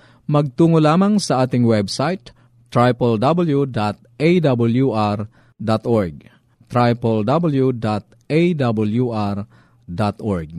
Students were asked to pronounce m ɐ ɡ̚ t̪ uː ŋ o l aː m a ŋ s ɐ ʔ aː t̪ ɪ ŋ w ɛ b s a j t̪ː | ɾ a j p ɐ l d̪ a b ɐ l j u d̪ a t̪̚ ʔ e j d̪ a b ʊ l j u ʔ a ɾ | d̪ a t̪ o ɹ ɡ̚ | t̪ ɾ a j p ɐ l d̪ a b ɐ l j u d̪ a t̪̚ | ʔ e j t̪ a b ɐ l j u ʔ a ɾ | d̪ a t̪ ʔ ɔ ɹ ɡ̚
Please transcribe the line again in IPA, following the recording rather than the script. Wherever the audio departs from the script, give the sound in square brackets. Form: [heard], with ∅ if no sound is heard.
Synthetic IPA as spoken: m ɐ ɡ̚ t̪ uː ŋ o l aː m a ŋ s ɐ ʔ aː t̪ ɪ ŋ w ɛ b s a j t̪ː | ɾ a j p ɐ l d̪ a b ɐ l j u d̪ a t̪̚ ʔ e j d̪ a b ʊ l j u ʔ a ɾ | d̪ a t̪ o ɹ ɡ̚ | t̪ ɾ a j p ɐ l d̪ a b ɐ l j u d̪ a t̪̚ | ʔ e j [d̪] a b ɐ l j u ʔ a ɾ | d̪ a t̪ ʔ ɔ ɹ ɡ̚